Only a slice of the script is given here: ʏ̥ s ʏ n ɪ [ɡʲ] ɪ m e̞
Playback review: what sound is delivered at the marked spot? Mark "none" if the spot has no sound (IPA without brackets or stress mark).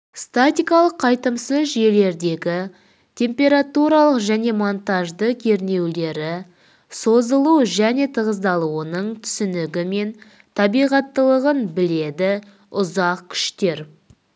ɡʲ